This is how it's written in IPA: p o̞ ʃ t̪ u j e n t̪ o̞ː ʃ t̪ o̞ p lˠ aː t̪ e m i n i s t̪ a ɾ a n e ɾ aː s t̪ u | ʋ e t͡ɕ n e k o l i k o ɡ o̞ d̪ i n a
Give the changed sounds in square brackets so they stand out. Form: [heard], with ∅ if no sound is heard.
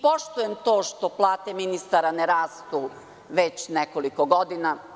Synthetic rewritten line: p o̞ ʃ t̪ u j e [m] t̪ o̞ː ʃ t̪ o̞ p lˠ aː t̪ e m i n i s t̪ a ɾ a n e ɾ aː s t̪ u | ʋ e t͡ɕ n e k o l i k o ɡ o̞ d̪ i n a